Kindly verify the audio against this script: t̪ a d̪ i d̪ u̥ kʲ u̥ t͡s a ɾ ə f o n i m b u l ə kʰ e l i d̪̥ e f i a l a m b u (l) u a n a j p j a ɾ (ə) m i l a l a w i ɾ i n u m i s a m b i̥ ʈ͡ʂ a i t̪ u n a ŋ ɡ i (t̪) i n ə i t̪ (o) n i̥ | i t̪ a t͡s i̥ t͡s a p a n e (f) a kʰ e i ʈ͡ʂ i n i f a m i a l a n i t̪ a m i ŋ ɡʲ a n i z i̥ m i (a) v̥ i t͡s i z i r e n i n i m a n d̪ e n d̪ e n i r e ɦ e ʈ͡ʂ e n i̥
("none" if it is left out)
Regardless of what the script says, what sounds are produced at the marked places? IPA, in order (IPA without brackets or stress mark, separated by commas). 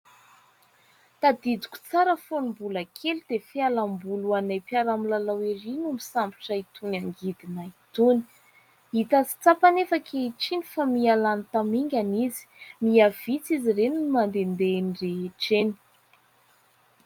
l, a, d̪, u, f, a